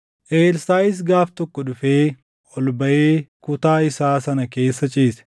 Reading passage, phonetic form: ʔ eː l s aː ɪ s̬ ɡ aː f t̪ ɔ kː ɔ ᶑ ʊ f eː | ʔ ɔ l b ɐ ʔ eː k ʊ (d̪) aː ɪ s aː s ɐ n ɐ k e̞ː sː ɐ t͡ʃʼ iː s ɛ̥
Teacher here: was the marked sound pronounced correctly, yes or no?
no